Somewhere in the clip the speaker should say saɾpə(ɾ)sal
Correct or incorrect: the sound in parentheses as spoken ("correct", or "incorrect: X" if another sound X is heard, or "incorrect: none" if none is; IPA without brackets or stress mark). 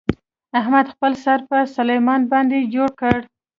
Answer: incorrect: none